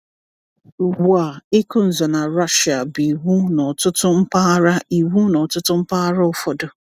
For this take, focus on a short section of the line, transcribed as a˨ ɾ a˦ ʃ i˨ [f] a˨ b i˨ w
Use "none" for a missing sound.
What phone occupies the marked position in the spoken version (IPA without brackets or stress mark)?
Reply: none